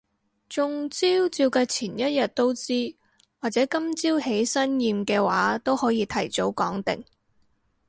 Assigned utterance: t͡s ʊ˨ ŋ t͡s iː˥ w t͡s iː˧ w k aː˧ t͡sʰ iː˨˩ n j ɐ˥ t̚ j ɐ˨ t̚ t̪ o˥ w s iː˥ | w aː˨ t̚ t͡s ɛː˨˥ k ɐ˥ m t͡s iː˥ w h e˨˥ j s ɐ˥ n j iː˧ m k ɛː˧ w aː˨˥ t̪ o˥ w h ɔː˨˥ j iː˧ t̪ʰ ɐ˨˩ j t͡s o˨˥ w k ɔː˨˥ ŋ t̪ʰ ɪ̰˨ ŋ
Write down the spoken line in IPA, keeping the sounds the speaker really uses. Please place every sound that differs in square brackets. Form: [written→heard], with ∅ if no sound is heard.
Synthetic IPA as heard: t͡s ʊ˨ ŋ t͡s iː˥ w t͡s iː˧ w k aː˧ t͡sʰ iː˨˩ n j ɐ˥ t̚ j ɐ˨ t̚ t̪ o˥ w [s→t͡s] iː˥ | w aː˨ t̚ t͡s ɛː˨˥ k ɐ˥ m t͡s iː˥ w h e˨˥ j s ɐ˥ n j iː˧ m k ɛː˧ w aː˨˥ t̪ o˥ w h ɔː˨˥ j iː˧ t̪ʰ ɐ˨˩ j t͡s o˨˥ w k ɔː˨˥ ŋ [t̪ʰ→t̪] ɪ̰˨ ŋ